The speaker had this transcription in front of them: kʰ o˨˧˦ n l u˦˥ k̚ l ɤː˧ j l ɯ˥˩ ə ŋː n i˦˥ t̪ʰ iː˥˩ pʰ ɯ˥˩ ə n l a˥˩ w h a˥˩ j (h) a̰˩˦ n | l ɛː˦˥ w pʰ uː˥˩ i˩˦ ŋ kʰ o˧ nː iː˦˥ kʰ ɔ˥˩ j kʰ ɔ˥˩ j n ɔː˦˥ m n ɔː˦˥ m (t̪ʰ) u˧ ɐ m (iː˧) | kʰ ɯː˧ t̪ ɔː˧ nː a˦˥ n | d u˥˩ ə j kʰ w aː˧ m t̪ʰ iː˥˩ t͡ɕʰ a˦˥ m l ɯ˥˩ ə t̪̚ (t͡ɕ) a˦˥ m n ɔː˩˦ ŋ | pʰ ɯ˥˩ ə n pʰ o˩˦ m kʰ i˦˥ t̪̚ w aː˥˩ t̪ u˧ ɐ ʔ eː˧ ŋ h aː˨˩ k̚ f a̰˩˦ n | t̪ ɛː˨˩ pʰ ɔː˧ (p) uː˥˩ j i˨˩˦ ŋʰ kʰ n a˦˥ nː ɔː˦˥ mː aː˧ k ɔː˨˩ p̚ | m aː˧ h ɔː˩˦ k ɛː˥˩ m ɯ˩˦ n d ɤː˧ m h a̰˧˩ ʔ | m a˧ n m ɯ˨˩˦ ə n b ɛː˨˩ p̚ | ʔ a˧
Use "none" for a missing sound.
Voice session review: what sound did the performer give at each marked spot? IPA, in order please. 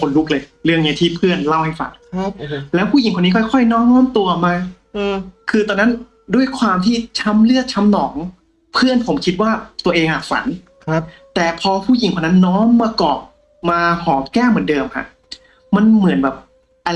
f, t̪, aː˧, t͡ɕʰ, pʰ

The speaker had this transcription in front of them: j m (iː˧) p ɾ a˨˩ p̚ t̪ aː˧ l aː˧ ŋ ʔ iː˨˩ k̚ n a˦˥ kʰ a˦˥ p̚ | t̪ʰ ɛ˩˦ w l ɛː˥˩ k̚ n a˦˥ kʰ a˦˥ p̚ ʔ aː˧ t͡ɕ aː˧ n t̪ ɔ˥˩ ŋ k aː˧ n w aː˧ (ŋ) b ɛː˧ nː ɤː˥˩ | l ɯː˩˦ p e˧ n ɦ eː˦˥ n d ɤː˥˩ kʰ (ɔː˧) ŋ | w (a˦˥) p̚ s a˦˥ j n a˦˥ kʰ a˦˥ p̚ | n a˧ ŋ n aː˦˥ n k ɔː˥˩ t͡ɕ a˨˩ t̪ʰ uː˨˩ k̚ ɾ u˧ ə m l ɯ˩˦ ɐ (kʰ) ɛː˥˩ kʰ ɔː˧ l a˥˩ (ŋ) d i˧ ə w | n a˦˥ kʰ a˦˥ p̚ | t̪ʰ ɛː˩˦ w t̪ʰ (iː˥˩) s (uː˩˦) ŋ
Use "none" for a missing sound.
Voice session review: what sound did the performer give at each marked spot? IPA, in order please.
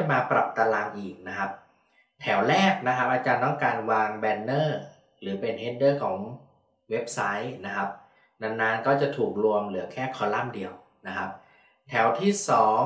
aː˧, ŋ, ɔː˩˦, e˦˥, kʰ, m, iː˥˩, ɔː˩˦

